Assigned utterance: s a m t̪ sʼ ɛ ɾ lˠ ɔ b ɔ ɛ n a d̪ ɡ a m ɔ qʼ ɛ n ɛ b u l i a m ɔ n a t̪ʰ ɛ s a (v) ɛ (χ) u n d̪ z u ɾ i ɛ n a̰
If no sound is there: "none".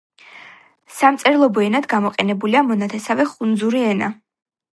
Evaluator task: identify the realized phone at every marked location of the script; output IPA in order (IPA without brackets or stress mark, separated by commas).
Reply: v, χ